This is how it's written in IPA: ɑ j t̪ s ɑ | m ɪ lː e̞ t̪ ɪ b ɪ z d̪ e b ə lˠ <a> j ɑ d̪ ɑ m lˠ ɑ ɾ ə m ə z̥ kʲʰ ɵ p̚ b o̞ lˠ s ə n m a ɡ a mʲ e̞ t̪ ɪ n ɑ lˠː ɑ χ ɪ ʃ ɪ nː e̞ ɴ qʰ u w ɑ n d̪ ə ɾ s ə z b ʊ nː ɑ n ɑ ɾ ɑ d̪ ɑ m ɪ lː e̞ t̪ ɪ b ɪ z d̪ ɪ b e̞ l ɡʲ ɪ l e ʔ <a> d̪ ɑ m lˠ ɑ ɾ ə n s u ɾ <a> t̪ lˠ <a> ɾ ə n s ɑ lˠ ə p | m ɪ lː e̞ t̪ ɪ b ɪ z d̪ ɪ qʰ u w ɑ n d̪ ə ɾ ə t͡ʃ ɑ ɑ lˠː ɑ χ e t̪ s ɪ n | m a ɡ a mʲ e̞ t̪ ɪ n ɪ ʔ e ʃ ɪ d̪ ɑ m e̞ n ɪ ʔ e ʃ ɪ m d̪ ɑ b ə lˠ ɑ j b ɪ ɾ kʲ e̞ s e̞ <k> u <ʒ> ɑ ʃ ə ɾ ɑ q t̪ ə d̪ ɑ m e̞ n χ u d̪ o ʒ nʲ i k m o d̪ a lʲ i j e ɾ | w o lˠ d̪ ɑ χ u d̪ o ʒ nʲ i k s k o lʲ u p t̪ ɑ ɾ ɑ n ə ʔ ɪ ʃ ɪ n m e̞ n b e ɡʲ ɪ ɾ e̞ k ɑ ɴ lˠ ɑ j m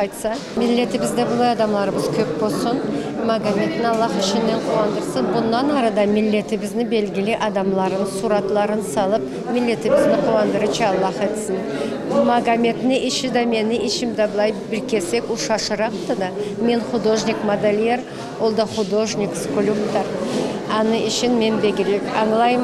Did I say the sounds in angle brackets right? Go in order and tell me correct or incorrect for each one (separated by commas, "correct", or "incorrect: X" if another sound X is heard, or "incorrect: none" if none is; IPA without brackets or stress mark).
incorrect: ɑ, incorrect: ɑ, incorrect: ɑ, incorrect: ɑ, correct, incorrect: ʃ